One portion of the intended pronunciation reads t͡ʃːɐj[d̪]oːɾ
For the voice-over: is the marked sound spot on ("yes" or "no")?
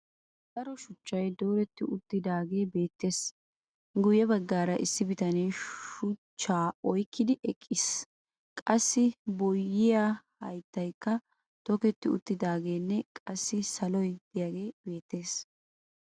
yes